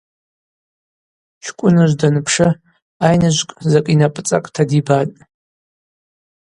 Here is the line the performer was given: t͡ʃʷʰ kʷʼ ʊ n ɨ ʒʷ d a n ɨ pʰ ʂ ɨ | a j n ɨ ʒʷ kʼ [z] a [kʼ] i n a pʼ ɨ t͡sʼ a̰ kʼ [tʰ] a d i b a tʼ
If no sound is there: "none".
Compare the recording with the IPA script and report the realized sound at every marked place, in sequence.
z, kʼ, tʰ

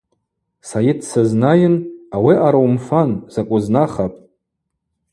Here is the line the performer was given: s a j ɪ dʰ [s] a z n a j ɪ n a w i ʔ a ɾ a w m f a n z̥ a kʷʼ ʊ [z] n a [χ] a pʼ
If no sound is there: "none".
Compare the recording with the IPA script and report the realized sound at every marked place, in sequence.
s, z, χ

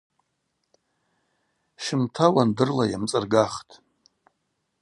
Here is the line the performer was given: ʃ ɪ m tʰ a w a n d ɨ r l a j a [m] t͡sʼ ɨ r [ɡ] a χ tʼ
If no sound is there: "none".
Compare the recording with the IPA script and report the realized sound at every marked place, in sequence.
m, ɡ

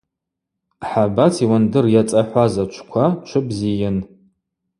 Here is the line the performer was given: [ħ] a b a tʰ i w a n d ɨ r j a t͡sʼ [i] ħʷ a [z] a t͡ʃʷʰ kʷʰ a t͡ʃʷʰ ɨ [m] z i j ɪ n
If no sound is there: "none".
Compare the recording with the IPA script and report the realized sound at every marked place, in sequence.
ħ, a, z, b

